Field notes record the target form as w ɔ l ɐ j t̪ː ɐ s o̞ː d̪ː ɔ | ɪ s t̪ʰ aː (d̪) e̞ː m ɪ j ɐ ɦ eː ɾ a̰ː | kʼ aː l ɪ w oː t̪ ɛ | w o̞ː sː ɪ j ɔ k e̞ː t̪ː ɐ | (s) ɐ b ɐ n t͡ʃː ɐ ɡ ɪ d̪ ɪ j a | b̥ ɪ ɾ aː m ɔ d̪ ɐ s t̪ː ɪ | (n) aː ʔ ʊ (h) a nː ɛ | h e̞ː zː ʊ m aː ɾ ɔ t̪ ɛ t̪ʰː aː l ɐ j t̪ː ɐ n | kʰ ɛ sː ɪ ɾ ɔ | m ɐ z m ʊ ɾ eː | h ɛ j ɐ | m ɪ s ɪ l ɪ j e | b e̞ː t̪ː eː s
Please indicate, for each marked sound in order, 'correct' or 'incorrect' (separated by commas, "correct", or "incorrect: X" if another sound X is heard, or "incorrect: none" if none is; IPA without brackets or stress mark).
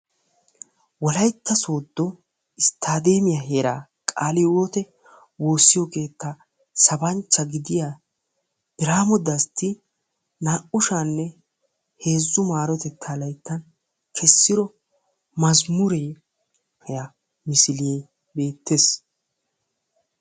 correct, correct, correct, incorrect: ʃ